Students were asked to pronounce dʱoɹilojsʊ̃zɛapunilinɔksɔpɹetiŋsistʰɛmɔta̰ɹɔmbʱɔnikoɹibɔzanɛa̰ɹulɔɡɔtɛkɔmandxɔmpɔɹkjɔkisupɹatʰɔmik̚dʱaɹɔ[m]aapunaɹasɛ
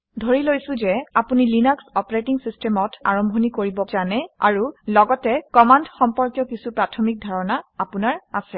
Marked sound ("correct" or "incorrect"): incorrect